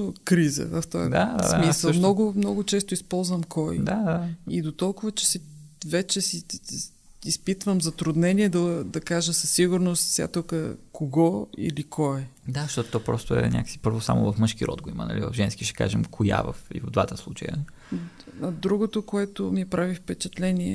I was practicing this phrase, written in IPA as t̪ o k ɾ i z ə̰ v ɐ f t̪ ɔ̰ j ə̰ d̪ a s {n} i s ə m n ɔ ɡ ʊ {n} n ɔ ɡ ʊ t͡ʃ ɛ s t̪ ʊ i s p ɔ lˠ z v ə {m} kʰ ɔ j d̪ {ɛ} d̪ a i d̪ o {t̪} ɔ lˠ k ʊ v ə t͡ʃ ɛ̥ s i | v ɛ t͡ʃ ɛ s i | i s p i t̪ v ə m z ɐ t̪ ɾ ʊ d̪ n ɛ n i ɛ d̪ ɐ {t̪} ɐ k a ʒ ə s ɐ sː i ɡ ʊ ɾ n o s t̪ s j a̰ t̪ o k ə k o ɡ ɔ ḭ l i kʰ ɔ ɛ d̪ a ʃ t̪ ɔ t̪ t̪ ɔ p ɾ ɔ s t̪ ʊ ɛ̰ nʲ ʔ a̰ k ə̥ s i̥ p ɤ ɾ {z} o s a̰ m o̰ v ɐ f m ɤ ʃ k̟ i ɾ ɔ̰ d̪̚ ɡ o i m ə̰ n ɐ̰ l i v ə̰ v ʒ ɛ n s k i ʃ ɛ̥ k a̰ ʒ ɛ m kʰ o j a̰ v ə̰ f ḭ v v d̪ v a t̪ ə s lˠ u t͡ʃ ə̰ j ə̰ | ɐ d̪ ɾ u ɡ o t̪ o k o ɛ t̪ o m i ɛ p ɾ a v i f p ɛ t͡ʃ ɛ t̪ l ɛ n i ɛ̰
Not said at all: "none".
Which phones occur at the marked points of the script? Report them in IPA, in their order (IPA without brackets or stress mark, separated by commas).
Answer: m, m, m, a, t̪, d̪, v